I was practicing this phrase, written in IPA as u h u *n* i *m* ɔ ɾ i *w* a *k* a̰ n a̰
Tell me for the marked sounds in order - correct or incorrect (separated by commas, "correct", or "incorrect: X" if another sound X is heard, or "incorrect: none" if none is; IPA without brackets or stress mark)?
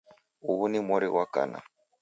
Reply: correct, correct, correct, correct